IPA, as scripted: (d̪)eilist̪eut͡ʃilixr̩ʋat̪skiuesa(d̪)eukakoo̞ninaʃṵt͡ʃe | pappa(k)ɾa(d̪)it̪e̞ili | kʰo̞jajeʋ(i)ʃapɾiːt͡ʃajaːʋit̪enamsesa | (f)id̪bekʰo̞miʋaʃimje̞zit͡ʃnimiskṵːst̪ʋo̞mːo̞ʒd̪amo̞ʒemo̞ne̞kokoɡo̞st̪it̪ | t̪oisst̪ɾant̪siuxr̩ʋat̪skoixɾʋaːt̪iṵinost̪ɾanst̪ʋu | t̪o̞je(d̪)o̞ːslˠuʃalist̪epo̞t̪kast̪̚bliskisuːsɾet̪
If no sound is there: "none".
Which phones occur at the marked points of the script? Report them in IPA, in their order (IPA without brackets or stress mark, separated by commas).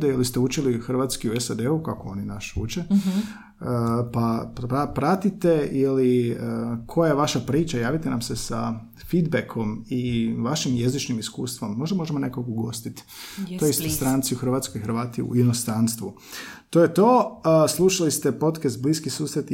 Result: d̪, d̪, p, t̪, a, f, t̪